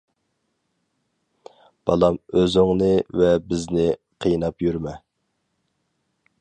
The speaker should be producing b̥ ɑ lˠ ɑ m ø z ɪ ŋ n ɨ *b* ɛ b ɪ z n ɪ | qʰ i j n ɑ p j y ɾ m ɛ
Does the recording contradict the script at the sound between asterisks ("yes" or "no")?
yes